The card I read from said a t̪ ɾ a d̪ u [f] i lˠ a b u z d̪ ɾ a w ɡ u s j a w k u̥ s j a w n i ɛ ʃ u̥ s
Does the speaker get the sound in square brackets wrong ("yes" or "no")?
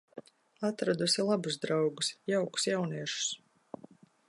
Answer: yes